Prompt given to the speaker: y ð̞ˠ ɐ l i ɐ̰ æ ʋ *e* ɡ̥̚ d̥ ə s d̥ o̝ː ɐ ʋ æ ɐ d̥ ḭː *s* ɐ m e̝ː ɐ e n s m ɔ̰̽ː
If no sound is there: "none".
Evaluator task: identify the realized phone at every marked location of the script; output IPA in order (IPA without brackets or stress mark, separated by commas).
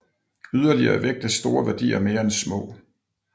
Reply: e, none